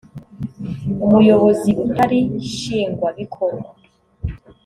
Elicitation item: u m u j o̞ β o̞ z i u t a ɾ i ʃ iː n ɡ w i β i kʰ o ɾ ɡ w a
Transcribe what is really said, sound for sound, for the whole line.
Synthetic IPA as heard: u m u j o̞ β o̞ z i u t a ɾ i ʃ iː ŋ ɡ w a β i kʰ o ɾ ɡ w a